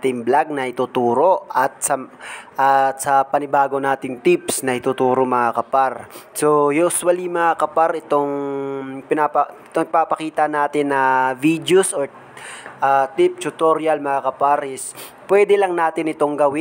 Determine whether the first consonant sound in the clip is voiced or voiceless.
voiceless